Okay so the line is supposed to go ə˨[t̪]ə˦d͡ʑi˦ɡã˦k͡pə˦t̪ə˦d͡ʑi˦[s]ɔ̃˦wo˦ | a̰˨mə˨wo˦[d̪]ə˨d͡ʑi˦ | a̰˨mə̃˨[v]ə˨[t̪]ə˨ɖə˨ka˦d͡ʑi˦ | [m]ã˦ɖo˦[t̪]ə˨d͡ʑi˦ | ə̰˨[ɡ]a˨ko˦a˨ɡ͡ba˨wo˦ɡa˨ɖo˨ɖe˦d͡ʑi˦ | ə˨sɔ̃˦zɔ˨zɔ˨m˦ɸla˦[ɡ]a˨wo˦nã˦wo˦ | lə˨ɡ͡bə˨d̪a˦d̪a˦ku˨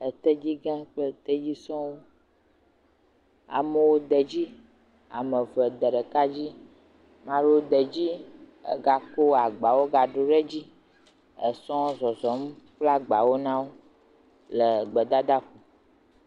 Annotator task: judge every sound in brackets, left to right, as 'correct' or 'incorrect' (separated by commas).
correct, correct, correct, correct, incorrect, correct, incorrect, correct, incorrect